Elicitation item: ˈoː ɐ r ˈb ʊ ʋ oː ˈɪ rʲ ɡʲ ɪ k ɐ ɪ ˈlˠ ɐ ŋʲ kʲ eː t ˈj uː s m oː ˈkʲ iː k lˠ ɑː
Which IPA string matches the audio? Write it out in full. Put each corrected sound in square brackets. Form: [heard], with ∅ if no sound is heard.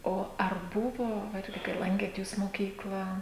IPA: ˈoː ɐ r ˈb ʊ ʋ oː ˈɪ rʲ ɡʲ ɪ k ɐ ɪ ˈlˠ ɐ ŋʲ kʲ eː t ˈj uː s m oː ˈkʲ iː k lˠ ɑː